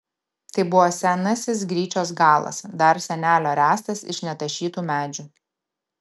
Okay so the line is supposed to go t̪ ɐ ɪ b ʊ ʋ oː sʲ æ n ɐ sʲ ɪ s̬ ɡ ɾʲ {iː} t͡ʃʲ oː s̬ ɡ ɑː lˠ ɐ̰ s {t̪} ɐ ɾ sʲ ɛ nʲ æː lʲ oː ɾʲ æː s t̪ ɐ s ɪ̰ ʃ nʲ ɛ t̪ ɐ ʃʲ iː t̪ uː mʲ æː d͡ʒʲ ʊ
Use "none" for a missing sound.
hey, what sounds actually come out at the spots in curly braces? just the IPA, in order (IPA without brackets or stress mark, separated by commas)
iː, d̪